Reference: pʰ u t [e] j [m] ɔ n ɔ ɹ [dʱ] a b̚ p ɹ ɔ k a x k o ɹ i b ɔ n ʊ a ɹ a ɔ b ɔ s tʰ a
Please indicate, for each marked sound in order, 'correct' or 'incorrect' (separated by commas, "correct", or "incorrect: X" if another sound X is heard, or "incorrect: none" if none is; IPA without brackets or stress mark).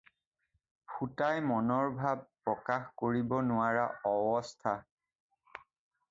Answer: incorrect: a, correct, incorrect: bʱ